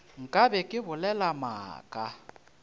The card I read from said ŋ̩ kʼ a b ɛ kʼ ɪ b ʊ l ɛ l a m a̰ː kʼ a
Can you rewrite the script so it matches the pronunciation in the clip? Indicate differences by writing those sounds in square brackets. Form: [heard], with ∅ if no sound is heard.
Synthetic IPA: ŋ̩ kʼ a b ɛ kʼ ɪ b ʊ l ɛ l a m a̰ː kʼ a